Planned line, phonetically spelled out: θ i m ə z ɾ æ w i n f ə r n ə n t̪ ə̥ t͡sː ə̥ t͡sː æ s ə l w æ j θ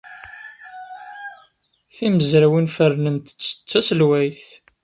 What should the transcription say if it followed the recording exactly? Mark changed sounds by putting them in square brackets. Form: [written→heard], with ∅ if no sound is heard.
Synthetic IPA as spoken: θ i m ə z ɾ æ w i n f ə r n ə n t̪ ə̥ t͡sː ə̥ t͡sː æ s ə l w æ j θ